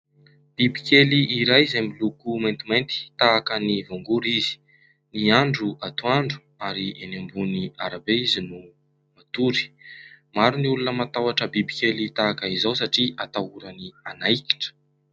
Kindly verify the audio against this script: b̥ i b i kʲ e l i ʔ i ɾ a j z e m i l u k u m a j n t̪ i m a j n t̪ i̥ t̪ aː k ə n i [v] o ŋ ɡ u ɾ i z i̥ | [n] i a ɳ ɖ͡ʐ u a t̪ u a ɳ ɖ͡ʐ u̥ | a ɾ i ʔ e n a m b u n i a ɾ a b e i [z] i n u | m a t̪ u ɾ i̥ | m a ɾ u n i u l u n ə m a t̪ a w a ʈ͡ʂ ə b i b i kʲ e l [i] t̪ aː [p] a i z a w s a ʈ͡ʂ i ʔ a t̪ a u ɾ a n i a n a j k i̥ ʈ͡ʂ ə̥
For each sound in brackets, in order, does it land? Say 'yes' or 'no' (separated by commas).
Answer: yes, yes, yes, yes, no